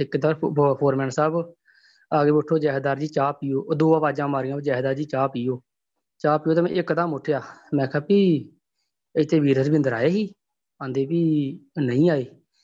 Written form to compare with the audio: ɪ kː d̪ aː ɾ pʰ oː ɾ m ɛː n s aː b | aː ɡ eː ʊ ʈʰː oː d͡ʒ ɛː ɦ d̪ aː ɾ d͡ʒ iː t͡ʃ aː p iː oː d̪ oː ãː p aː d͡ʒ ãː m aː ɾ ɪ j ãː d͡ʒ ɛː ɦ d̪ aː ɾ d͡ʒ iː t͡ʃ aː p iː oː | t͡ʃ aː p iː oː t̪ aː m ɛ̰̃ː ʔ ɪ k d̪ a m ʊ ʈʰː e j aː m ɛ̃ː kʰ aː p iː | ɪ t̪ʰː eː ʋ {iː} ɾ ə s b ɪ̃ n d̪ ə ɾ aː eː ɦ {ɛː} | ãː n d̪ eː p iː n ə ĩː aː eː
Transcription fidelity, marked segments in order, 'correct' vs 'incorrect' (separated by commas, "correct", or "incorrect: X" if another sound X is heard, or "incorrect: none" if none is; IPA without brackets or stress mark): correct, incorrect: iː